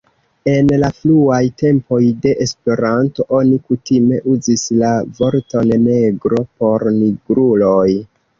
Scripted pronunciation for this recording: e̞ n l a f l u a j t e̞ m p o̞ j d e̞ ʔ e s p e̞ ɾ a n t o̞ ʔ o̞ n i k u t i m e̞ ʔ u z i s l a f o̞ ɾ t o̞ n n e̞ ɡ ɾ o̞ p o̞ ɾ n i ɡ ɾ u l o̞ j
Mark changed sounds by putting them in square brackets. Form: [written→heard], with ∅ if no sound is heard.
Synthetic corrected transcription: e̞ n l a f l u a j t e̞ m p o̞ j d e̞ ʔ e s p e̞ ɾ a n t o̞ ʔ o̞ n i k u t i m e̞ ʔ u z i s l a [f→v] o̞ ɾ t o̞ n n e̞ ɡ ɾ o̞ p o̞ ɾ n i ɡ ɾ u l o̞ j

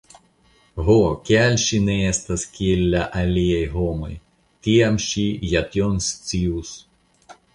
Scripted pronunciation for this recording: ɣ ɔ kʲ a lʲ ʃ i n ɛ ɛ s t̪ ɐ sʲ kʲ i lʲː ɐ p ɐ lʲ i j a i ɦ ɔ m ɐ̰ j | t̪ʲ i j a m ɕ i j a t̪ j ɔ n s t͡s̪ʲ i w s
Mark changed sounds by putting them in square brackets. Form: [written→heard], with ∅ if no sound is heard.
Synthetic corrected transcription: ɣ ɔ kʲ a lʲ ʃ i n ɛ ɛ s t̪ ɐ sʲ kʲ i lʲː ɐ [p→ʔ] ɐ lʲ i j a [i→j] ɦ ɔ m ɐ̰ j | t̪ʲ i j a m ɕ i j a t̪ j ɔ n s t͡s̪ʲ i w s

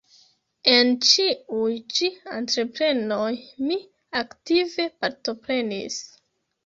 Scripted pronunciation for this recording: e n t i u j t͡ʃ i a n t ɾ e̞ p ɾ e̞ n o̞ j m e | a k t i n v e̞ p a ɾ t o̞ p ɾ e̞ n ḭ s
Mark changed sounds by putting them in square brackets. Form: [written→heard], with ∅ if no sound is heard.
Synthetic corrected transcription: e n [t→t͡ʃ] i u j t͡ʃ i a n t ɾ e̞ p ɾ e̞ n o̞ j m [e→i] | a k t i [n→∅] v e̞ p a ɾ t o̞ p ɾ e̞ n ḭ s

